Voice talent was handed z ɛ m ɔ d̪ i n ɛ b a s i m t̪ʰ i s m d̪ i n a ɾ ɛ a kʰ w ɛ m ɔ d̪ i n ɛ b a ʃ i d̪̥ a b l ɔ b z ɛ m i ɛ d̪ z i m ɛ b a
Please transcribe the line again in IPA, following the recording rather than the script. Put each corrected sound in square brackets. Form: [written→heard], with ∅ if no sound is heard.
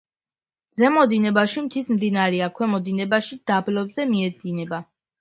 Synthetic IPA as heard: z ɛ m ɔ d̪ i n ɛ b a [s→ʃ] i m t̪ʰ i s m d̪ i n a ɾ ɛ a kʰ w ɛ m ɔ d̪ i n ɛ b a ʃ i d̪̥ a b l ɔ b z ɛ m i ɛ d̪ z i [m→n] ɛ b a